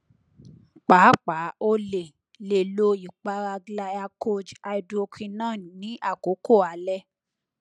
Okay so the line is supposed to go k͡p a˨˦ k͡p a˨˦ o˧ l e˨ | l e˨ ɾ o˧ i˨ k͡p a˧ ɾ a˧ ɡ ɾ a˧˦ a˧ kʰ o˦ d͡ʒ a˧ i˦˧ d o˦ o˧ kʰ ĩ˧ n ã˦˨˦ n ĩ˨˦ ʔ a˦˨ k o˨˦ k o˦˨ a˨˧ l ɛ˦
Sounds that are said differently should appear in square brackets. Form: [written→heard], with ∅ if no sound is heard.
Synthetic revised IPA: k͡p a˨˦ k͡p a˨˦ o˧ l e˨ | l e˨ [ɾ→l] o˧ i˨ k͡p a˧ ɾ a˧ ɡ [ɾ→l] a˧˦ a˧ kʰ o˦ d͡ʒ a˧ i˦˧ d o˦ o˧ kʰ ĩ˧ n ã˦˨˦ n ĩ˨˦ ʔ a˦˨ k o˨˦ k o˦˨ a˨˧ l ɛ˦